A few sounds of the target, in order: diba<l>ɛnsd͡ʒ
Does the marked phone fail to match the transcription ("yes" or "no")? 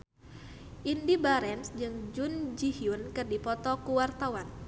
yes